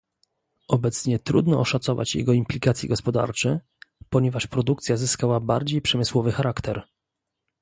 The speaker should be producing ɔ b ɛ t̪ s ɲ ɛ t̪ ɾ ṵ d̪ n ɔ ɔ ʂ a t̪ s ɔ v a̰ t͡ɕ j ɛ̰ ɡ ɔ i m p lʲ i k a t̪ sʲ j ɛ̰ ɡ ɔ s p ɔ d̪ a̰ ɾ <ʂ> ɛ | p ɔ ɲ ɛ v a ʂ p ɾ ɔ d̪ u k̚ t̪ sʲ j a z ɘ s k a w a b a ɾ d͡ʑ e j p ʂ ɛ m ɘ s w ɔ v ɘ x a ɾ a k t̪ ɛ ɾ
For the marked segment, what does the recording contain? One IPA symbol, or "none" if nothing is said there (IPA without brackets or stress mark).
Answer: t͡ʂ